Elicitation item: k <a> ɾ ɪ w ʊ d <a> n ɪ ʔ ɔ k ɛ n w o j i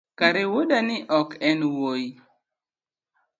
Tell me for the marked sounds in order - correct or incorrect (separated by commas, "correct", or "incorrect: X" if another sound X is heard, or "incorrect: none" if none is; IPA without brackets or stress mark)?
correct, correct